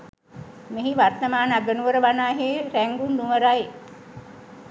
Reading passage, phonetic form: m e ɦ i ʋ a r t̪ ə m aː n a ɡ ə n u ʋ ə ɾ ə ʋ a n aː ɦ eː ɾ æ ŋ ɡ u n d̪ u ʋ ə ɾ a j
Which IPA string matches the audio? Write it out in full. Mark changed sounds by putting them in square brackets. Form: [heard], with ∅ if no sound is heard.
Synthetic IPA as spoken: m e ɦ i ʋ a r t̪ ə m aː n a ɡ ə n u ʋ ə ɾ ə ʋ a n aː ɦ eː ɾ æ ŋ ɡ u n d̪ u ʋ ə ɾ a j